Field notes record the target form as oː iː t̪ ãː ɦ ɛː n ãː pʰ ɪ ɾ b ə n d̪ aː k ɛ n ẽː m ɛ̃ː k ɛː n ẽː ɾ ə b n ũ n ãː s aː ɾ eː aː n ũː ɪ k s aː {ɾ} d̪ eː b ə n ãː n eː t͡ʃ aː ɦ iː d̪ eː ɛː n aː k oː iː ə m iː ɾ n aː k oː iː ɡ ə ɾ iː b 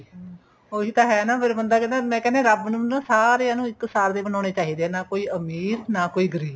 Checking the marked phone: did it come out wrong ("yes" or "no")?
no